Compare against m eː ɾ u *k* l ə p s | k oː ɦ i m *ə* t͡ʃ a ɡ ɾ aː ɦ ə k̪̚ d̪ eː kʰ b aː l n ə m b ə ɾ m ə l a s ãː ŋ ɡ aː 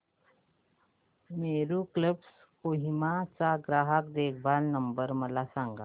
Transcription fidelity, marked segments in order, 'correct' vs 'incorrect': correct, incorrect: a

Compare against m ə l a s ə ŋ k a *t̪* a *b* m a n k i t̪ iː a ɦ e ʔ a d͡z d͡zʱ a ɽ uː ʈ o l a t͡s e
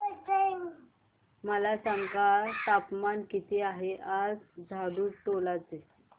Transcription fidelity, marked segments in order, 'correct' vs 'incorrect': correct, incorrect: p

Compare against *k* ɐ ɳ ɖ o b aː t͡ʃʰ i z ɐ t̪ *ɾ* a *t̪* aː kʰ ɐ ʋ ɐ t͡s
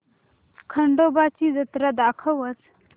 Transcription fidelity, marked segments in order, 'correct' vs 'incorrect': incorrect: kʰ, correct, incorrect: d̪

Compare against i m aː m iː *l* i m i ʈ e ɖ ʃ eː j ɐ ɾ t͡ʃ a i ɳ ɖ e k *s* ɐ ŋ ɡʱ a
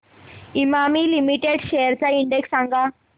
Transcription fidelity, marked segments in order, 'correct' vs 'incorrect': correct, correct

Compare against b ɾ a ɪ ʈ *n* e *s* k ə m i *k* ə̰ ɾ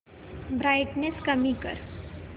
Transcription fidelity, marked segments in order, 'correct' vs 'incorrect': correct, correct, correct

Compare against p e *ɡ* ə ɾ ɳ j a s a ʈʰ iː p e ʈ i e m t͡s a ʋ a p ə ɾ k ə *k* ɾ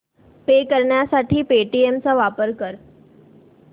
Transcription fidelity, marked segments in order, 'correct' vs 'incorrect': incorrect: k, incorrect: none

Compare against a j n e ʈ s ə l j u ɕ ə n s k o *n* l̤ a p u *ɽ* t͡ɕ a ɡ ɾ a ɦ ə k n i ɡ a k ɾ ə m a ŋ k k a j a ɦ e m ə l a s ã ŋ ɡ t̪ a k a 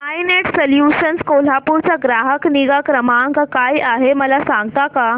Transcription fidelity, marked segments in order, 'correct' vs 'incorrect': incorrect: none, incorrect: ɾ

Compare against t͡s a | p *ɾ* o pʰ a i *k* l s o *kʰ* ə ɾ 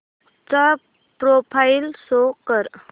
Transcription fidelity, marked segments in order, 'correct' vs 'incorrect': correct, incorrect: none, incorrect: k

